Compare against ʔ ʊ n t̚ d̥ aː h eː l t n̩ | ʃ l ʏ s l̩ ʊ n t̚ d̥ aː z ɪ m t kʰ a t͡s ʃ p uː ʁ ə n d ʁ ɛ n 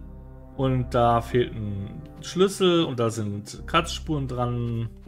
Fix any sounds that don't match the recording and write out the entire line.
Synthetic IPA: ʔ ʊ n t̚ d̥ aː f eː l t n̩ | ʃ l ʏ s l̩ ʊ n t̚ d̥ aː z ɪ n t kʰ a t͡s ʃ p uː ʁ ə n d ʁ a n